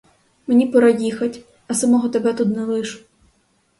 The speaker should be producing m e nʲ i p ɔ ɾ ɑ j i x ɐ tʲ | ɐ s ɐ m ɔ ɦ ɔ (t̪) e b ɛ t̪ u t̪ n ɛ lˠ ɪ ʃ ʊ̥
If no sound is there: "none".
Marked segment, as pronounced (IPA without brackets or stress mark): t̪